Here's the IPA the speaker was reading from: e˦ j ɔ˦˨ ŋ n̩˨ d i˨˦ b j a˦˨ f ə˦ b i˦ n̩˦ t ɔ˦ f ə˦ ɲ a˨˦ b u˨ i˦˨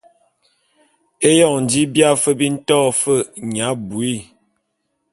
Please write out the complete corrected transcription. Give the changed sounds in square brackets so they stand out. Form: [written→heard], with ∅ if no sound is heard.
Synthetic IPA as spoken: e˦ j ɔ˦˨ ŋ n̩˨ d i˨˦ b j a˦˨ f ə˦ b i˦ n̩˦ t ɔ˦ f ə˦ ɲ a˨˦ b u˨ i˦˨